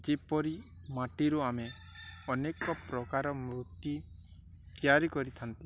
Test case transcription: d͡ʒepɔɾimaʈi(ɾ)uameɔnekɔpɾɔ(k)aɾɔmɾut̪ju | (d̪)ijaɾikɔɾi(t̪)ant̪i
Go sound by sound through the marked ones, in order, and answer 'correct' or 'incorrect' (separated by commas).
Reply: correct, correct, incorrect, incorrect